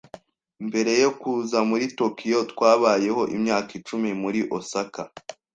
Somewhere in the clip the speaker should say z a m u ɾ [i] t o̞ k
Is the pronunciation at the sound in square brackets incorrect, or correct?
correct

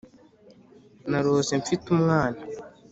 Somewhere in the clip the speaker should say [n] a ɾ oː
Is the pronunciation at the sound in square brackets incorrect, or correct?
correct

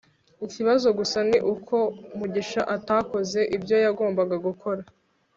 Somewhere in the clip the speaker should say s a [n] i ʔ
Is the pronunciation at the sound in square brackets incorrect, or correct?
correct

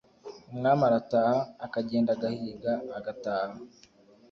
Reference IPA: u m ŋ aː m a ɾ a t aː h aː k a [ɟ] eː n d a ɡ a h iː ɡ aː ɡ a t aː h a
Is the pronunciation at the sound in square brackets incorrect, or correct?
correct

